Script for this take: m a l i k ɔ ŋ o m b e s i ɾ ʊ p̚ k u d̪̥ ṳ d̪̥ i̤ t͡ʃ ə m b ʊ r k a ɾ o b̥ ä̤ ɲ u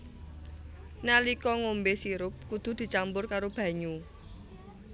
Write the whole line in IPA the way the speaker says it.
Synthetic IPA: n a l i k ɔ ŋ o m b e s i ɾ ʊ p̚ k u d̪̥ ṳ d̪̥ i̤ t͡ʃ a m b ʊ r k a ɾ o b̥ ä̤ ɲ u